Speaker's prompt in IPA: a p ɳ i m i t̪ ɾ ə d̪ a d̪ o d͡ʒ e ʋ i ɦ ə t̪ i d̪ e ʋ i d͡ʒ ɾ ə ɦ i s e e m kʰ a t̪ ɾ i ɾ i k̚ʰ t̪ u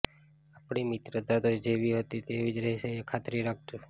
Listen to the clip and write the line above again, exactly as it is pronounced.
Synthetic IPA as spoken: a p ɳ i m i t̪ ɾ ə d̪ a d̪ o d͡ʒ e ʋ i ɦ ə t̪ i t̪ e ʋ i d͡ʒ ɾ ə ɦ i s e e kʰ a t̪ ɾ i ɾ a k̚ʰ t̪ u